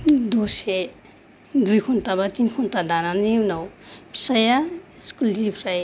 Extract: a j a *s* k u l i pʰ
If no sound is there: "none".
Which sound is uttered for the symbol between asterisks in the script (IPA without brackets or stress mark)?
s